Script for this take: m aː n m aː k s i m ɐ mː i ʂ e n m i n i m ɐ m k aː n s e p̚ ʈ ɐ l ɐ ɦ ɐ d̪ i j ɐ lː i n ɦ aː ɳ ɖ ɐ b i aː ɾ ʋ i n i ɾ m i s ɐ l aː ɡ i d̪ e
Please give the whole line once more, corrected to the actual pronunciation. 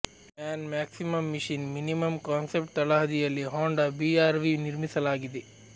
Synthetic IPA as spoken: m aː n m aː k s i m ɐ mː i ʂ i n m i n i m ɐ m k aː n s e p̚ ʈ ɐ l ɐ ɦ ɐ d̪ i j ɐ lː i ɦ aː ɳ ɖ ɐ b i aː ɾ ʋ i n i ɾ m i s ɐ l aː ɡ i d̪ e